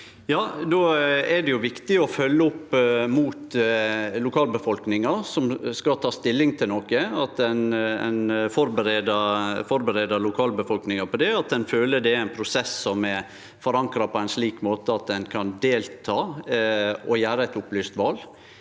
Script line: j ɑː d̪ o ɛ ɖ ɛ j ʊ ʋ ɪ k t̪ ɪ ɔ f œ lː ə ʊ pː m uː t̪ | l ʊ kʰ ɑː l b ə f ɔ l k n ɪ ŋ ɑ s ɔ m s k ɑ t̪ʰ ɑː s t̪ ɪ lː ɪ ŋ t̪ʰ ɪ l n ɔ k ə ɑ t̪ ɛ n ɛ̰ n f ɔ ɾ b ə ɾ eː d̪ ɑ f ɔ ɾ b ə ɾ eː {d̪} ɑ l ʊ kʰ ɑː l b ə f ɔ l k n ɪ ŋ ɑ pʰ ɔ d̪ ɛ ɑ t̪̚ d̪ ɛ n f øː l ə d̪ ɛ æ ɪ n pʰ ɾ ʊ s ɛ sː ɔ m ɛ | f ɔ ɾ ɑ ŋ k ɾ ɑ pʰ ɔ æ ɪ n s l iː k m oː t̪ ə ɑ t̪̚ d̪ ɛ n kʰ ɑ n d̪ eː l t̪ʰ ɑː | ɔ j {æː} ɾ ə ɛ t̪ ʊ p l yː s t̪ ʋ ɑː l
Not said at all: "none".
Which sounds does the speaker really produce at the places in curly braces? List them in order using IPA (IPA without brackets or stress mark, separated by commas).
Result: d̪, æː